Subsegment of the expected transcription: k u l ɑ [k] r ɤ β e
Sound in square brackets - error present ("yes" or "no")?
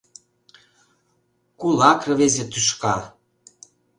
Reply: no